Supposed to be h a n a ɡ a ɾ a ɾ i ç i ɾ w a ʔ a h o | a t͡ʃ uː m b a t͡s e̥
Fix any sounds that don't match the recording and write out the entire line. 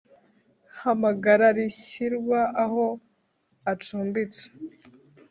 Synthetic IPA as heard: h a m a ɡ a ɾ a ɾ i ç i ɾ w a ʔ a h o | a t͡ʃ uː m b i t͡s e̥